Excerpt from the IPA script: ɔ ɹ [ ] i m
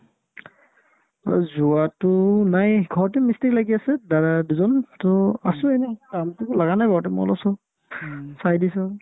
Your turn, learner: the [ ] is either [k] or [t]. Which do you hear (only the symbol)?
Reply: t